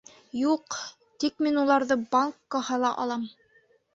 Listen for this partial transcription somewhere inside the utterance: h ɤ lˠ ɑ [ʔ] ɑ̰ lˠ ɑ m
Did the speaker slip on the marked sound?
no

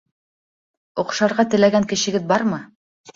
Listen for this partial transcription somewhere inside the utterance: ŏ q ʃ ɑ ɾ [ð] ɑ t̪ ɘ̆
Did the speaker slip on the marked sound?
yes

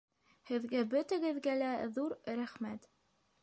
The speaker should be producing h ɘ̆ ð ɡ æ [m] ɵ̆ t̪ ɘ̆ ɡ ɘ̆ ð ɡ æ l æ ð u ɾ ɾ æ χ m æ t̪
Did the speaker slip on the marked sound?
yes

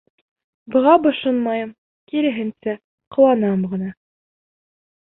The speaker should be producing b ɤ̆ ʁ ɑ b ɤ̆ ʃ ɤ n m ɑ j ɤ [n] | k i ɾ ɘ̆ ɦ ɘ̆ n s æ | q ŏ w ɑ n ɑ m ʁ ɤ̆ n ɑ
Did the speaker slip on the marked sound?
yes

